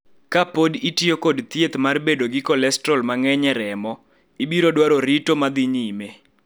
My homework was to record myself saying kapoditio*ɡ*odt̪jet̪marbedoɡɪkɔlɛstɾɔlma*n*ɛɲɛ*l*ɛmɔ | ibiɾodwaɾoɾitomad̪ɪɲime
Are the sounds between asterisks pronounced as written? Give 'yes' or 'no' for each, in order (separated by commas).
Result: no, no, no